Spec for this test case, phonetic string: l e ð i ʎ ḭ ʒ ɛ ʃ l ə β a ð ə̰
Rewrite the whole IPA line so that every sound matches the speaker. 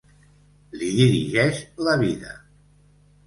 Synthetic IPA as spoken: l i ð i ɾ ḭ ʒ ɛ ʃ l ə β i ð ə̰